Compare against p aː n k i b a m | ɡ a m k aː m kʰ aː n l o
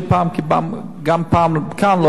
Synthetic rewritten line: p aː m k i b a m | ɡ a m p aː m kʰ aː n l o